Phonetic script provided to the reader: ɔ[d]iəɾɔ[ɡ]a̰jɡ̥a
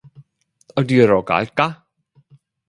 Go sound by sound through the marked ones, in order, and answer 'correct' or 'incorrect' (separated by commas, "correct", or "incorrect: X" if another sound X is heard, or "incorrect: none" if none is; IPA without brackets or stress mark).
correct, correct